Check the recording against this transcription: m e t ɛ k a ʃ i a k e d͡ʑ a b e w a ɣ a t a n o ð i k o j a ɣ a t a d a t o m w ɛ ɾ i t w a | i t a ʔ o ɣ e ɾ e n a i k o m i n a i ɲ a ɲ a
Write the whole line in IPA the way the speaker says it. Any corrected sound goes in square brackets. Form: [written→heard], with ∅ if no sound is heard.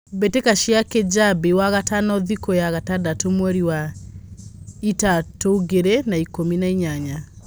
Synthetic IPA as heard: [m→b] e t [ɛ→e] k a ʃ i a k e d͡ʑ a b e w a ɣ a t a n [o→ɔ] ð i k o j a ɣ a t a d a t o m w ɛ ɾ i [t→∅] w a | i t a [ʔ→t] o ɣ e ɾ e n a i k o m i n a i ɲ a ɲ a